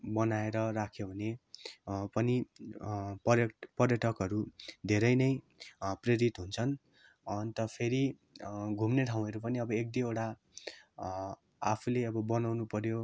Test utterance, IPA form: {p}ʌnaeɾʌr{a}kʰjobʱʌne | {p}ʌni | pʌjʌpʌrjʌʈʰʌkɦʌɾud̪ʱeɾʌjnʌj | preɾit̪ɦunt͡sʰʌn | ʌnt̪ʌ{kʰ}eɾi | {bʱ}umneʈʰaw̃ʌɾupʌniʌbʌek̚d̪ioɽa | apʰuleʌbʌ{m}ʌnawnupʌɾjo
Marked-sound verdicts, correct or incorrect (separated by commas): incorrect, correct, correct, incorrect, incorrect, incorrect